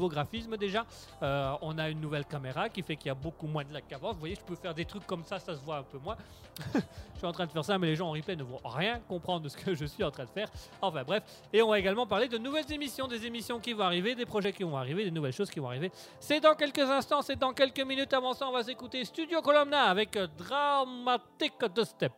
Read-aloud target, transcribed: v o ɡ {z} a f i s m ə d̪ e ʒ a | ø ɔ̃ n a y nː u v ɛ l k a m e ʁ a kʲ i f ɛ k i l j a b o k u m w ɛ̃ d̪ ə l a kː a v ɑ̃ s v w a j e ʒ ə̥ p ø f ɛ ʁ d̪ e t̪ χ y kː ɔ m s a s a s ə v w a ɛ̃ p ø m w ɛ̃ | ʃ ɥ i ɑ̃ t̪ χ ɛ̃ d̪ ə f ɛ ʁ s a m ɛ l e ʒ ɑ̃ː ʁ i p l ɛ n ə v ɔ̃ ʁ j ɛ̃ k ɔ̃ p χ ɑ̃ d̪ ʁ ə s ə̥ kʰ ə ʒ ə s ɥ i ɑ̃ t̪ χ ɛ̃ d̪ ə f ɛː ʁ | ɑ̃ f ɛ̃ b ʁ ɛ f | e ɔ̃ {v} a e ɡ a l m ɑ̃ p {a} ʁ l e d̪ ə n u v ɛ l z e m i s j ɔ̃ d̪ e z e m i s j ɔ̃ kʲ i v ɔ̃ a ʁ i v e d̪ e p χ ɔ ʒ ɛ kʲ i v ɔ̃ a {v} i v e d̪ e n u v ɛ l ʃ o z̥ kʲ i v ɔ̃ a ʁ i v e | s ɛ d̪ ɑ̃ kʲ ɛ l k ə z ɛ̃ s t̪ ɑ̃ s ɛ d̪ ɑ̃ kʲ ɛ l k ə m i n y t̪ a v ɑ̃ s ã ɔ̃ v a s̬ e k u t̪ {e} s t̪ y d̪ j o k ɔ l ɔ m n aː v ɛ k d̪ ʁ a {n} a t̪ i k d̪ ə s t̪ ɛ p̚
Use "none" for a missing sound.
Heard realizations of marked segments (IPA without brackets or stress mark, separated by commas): ʁ, v, a, ʁ, e, m